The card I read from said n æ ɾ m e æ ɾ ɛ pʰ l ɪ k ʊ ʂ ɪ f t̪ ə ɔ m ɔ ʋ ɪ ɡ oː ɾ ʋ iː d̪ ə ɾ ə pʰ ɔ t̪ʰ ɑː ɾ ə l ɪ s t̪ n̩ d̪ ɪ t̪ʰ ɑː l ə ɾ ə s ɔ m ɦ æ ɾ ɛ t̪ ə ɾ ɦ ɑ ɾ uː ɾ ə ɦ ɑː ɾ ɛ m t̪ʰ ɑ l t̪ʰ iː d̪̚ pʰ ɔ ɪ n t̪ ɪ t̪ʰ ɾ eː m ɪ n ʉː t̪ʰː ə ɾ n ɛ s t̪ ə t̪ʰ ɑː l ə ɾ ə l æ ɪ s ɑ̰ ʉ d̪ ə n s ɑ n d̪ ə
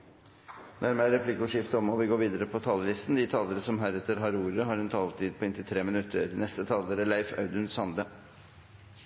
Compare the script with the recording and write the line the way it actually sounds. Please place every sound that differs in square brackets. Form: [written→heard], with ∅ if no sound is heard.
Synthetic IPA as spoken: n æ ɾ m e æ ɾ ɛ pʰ l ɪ k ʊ ʂ ɪ f t̪ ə ɔ m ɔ ʋ ɪ ɡ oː ɾ ʋ iː d̪ ə ɾ ə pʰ ɔ t̪ʰ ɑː [ɾ→l] ə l ɪ s t̪ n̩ d̪ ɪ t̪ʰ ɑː l ə ɾ ə s ɔ m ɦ æ ɾ ɛ t̪ ə ɾ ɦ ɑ ɾ uː ɾ ə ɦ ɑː ɾ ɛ [m→n] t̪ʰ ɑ l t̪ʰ iː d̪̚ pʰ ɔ ɪ n t̪ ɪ t̪ʰ ɾ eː m ɪ n [ʉː→ʉ] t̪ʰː ə ɾ n ɛ s t̪ ə t̪ʰ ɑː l ə ɾ ə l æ ɪ [s→f] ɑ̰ ʉ d̪ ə n s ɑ n d̪ ə